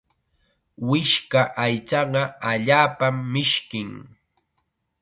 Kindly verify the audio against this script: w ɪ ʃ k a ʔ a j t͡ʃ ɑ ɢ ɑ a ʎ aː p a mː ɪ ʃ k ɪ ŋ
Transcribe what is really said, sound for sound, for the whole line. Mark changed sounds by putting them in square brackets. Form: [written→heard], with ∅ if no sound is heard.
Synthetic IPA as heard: w ɪ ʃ k a ʔ a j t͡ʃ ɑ ɢ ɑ a ʎ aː p a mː ɪ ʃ k ɪ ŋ